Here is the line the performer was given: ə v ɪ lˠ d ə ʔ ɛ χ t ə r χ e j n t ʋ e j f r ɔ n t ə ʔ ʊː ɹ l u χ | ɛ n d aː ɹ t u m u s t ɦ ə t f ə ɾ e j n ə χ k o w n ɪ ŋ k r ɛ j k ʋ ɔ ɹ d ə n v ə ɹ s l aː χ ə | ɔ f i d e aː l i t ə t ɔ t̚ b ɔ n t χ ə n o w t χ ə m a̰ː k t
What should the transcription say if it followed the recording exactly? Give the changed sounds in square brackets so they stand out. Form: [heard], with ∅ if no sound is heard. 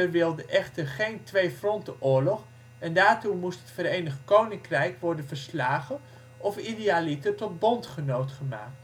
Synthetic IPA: ə [ʋ] ɪ lˠ d ə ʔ ɛ χ t ə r χ e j n t ʋ e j f r ɔ n t ə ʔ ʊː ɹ l [ɔ] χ | ɛ n d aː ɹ t u m u s t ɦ ə t f ə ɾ e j n ə χ k o w n ɪ ŋ k r ɛ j k ʋ ɔ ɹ d ə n v ə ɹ s l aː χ ə | ɔ f i d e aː l i t ə t ɔ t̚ b ɔ n t χ ə n o w t χ ə m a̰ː k t